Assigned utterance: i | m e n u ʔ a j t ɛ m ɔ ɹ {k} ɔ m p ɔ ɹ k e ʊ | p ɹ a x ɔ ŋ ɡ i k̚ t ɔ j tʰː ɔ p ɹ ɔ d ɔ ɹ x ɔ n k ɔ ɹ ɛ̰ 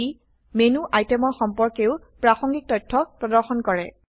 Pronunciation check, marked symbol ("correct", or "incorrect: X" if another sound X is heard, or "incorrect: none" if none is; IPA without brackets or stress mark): incorrect: x